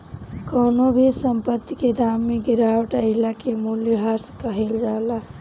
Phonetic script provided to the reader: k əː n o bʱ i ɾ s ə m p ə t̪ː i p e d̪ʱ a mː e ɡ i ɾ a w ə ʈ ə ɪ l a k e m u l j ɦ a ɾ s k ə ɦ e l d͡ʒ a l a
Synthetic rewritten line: k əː n o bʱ i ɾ s ə m p ə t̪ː i k e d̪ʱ a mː e ɡ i ɾ a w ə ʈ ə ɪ l a k e m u l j ɦ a ɾ s k ə ɦ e l d͡ʒ a l a